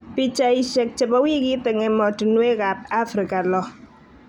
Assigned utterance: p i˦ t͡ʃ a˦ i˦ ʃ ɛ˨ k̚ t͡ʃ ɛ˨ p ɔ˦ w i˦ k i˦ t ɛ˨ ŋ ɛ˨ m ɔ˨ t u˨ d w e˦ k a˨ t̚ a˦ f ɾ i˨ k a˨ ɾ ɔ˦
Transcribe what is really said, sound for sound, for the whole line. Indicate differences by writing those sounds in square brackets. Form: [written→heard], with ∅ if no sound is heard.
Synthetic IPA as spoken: p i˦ t͡ʃ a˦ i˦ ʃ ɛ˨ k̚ t͡ʃ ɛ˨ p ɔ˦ w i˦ k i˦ t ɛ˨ ŋ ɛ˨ m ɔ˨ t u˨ [d→n] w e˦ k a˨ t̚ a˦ f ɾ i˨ k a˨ [ɾ→l] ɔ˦